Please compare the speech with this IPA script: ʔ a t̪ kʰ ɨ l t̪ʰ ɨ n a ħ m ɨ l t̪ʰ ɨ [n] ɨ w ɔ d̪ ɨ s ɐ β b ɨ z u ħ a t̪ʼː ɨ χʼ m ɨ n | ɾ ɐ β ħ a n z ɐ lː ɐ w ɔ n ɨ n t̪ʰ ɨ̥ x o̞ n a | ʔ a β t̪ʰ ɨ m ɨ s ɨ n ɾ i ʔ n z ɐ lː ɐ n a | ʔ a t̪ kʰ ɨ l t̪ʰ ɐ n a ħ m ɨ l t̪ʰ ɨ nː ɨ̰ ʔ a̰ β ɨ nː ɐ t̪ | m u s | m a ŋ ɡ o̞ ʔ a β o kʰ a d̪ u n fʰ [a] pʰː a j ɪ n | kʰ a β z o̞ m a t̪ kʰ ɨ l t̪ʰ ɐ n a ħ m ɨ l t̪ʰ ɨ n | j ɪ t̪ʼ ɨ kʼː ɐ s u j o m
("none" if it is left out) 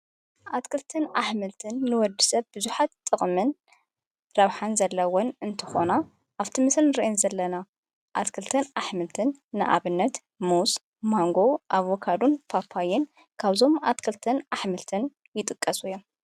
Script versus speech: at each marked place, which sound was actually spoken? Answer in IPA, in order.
nː, a

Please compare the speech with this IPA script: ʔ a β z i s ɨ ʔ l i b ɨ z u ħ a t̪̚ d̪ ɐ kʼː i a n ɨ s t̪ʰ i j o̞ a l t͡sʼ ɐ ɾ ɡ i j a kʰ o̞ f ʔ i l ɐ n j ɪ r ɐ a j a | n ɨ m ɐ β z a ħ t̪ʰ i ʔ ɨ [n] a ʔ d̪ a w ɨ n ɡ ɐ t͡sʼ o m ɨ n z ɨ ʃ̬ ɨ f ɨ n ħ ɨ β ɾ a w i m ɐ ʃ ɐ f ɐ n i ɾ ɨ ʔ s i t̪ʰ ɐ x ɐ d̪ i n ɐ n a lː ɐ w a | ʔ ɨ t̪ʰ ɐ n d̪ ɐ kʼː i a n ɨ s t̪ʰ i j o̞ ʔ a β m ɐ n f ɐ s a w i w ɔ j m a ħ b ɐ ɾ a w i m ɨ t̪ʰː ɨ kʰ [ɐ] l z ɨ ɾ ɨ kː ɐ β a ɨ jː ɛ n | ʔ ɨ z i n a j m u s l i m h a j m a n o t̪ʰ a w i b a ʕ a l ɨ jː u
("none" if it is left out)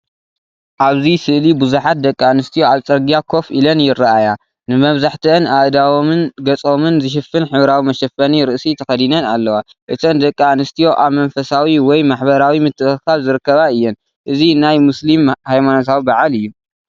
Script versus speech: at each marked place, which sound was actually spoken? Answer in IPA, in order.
n, a

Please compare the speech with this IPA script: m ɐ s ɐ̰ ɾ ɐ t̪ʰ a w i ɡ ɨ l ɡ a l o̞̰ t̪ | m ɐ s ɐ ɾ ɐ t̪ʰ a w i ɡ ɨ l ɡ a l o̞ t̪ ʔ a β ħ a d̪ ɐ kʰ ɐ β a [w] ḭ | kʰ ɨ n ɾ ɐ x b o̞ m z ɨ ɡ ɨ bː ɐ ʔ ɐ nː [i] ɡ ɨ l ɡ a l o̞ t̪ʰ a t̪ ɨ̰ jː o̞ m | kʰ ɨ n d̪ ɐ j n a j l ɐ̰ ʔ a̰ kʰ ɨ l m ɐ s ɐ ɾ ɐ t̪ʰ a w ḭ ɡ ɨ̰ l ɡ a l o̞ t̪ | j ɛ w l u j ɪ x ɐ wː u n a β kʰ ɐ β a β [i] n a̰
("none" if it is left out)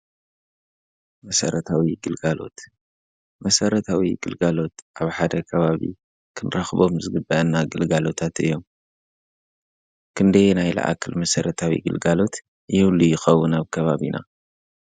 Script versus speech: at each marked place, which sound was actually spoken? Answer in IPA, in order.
β, a, i

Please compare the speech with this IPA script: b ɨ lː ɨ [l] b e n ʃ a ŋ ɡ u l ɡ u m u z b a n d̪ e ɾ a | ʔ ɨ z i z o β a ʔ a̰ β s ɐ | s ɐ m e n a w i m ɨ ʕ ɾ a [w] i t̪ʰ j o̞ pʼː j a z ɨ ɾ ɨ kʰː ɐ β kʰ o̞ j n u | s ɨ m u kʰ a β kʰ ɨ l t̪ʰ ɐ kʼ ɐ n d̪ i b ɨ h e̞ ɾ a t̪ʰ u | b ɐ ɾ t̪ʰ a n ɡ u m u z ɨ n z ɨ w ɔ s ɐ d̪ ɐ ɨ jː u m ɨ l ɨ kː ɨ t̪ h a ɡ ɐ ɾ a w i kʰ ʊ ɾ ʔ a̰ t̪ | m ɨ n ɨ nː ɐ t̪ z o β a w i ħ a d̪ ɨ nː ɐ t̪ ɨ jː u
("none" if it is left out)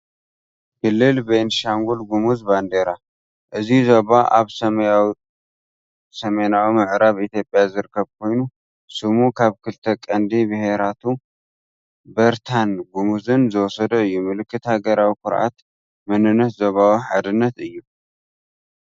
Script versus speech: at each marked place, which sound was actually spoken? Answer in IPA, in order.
l, β

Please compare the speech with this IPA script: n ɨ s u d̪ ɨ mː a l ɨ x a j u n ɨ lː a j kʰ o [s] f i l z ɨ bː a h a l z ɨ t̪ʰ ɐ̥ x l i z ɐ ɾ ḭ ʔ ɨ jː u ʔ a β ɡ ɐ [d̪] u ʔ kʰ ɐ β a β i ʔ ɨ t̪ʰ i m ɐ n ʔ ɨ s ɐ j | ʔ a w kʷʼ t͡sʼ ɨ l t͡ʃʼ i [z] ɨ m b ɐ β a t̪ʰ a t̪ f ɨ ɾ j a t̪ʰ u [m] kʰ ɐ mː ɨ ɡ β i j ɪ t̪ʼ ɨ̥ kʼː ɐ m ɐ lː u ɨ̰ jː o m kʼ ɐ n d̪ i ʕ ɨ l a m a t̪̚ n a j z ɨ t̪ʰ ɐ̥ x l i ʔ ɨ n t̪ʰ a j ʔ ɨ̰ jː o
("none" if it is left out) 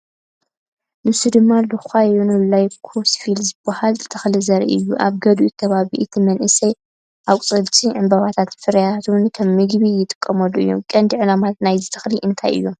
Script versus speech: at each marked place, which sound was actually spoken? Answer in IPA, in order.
s, d̪, ʕ, n

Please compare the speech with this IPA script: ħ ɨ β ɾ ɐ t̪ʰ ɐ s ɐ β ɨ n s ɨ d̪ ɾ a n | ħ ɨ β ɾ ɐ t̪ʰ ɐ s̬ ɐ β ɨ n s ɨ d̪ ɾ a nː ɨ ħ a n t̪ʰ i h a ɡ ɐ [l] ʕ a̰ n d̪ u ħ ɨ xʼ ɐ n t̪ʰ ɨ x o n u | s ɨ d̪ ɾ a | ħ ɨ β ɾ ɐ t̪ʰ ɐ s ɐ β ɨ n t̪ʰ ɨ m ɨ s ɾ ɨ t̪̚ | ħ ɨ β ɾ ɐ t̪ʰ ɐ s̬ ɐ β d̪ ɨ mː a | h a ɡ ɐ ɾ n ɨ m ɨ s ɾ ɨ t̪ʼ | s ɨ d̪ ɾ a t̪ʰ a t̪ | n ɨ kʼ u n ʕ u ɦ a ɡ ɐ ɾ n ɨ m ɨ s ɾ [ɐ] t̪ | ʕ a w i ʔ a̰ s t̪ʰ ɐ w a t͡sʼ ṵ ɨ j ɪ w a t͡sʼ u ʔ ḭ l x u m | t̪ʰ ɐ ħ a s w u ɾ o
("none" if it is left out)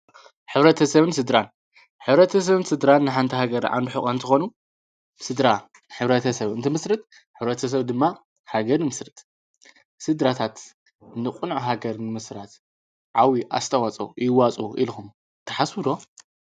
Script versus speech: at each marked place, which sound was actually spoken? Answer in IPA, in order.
ɾ, a

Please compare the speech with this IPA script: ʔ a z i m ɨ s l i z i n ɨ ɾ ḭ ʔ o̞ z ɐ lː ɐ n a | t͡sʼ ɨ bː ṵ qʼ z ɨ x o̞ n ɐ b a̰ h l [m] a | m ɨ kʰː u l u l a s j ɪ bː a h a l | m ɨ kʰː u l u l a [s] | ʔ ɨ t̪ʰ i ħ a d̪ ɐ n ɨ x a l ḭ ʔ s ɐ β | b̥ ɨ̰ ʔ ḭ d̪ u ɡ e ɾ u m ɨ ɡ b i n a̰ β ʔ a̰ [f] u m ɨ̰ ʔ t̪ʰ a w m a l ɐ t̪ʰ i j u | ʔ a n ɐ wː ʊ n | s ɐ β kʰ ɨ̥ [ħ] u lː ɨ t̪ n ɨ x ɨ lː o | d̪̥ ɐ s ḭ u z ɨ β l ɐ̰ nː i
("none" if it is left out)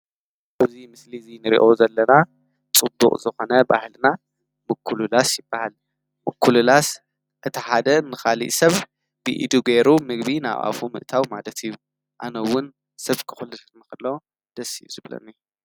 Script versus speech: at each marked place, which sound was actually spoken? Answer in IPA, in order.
n, s, f, x

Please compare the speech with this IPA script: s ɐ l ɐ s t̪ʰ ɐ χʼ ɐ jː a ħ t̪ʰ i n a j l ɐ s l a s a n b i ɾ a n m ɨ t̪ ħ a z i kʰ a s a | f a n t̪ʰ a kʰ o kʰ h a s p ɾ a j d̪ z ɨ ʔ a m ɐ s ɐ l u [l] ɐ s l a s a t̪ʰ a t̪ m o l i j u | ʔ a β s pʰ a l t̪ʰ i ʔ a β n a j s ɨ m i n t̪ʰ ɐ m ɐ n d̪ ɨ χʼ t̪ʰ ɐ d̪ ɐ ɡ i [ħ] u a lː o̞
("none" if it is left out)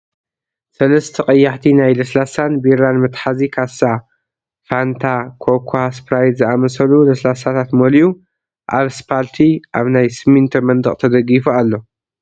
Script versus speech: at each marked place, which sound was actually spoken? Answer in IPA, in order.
l, f

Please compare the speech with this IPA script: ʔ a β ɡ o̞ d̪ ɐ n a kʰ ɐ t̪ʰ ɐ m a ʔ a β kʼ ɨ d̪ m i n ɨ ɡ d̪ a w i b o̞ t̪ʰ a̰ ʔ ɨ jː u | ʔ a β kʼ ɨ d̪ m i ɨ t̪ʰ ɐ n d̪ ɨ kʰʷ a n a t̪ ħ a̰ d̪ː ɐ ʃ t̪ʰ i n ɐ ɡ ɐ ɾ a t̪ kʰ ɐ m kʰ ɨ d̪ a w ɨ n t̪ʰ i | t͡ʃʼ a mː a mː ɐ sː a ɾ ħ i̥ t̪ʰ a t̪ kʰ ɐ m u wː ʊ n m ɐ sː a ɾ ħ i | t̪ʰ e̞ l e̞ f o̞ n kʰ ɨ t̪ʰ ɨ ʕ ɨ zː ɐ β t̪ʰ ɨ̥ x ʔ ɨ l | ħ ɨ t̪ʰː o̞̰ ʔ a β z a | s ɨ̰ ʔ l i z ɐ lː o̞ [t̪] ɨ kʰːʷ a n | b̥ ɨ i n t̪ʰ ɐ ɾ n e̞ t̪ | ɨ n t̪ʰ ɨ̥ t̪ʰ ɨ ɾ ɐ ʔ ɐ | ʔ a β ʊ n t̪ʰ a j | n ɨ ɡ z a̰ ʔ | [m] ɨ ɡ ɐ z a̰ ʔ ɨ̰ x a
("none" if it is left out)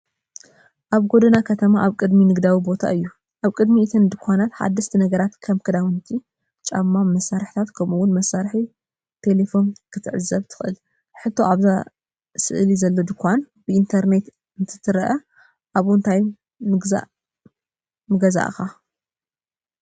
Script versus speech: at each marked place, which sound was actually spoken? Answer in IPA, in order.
d̪, m

